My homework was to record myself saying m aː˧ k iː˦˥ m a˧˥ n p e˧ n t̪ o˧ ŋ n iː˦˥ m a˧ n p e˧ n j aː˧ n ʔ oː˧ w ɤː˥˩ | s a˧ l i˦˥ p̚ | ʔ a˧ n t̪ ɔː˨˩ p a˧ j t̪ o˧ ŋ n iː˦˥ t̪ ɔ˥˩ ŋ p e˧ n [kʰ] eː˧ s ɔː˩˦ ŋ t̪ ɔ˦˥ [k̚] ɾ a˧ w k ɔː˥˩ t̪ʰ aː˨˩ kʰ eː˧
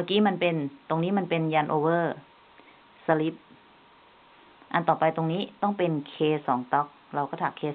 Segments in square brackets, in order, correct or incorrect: correct, correct

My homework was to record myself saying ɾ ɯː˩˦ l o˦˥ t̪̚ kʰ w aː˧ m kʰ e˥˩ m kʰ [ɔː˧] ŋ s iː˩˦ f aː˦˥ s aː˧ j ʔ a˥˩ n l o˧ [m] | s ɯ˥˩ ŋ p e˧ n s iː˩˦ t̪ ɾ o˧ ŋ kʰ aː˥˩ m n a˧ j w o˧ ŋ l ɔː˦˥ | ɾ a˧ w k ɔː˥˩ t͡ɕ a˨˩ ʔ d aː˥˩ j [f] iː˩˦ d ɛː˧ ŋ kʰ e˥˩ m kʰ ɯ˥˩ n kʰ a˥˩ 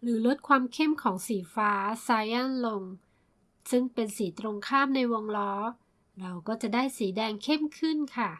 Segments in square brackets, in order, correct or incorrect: incorrect: ɔː˩˦, incorrect: ŋ, incorrect: s

